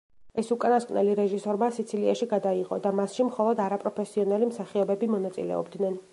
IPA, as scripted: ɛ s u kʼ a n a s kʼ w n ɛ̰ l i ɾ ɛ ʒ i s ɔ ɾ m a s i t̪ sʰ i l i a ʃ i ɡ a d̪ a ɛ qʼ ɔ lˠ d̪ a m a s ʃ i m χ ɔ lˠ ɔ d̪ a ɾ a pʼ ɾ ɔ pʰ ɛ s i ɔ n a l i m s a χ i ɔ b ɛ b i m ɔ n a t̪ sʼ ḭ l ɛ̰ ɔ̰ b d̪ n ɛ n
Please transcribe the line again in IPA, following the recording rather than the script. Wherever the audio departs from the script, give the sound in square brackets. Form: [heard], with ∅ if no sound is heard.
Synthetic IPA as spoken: ɛ s u kʼ a n a s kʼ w n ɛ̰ l i ɾ ɛ ʒ i s ɔ ɾ m a s i t̪ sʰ i l i a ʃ i ɡ a d̪ a [i] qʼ ɔ [∅] d̪ a m a s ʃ i m χ ɔ lˠ ɔ d̪ a ɾ a pʼ ɾ ɔ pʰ ɛ s i ɔ n a l i m s a χ i ɔ b ɛ b i m ɔ n a t̪ sʼ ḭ l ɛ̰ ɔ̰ b d̪ n ɛ n